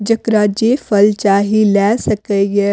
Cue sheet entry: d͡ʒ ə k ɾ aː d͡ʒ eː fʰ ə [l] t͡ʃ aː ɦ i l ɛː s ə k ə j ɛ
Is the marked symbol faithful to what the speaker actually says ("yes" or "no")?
yes